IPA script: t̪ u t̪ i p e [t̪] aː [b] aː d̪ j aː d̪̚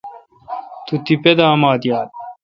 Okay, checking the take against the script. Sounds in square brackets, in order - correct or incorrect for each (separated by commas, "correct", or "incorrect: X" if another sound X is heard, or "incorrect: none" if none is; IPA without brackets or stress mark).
incorrect: d̪, incorrect: m